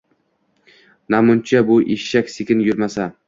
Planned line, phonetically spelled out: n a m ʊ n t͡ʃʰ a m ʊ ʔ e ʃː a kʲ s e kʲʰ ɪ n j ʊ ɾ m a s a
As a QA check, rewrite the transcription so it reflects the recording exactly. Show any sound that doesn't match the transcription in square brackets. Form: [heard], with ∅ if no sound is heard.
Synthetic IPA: n a m ʊ n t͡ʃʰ a [b] ʊ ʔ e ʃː a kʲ s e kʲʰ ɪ n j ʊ ɾ m a s a